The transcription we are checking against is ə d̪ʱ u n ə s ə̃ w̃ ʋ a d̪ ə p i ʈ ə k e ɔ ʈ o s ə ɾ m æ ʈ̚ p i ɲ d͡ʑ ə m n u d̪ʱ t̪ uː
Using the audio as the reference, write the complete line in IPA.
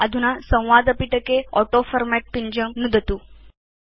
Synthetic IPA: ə d̪ʱ u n a s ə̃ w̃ ʋ a d̪ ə p i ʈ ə k e ɔ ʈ o f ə ɾ m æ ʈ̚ p i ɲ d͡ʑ ə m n u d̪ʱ t̪ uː